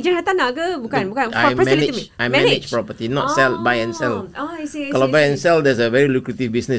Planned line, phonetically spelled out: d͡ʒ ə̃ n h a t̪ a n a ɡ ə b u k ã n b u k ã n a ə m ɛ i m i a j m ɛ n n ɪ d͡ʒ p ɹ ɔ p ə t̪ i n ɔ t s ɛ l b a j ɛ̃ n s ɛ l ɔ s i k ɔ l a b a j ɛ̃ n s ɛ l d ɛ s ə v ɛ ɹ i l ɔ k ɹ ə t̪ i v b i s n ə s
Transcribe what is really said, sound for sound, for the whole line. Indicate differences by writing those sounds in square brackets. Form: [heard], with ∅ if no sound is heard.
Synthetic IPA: d͡ʒ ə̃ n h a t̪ a n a ɡ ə b u k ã n b u k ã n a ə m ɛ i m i a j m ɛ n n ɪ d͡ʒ p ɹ ɔ p ə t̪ i n ɔ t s ɛ l b a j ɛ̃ n s ɛ l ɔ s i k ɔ l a b a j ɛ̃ n s ɛ l d ɛ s ə v ɛ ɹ i l [u] k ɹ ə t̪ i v b i s n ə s